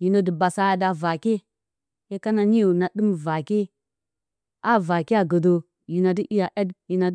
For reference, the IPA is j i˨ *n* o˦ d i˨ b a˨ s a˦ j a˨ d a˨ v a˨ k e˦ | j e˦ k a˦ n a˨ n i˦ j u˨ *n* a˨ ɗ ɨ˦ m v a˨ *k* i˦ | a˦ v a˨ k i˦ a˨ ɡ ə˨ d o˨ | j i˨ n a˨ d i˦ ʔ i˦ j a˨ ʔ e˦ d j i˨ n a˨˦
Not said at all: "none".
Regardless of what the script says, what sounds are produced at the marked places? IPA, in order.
n, n, k

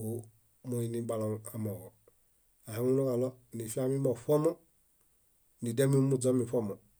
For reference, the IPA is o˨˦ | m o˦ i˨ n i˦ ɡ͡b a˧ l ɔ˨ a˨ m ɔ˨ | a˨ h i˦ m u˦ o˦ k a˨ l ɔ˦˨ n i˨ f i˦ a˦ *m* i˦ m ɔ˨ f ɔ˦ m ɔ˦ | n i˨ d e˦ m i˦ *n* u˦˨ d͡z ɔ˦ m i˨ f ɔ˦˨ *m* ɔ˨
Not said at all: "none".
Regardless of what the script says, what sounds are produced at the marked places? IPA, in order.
m, m, m

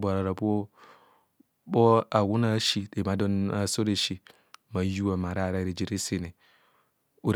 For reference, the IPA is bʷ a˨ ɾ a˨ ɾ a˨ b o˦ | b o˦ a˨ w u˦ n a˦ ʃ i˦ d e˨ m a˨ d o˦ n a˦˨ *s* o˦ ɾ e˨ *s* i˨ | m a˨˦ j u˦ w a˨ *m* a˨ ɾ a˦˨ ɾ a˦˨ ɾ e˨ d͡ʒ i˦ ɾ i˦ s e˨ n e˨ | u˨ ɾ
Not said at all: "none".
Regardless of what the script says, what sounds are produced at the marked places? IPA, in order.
s, ʃ, m

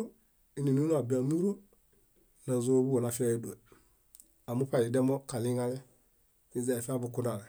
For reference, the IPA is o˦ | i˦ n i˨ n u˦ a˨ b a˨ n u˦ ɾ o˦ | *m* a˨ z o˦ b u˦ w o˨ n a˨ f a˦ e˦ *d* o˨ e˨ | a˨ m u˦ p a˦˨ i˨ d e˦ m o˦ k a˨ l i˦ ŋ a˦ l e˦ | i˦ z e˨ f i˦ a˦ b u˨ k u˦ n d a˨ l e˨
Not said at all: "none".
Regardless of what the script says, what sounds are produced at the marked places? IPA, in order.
n, d

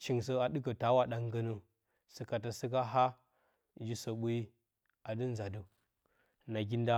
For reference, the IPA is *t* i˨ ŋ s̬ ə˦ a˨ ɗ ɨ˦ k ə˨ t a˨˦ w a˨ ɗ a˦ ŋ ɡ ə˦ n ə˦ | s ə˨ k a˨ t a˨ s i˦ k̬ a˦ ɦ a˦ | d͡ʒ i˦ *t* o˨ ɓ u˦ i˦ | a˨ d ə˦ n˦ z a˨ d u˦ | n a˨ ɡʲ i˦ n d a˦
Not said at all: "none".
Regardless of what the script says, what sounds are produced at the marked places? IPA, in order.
t͡ʃ, s

